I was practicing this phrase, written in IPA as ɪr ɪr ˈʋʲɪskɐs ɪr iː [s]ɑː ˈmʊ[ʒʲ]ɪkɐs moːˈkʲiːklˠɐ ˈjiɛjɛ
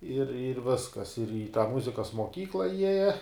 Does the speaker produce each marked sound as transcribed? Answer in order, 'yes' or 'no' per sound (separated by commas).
no, no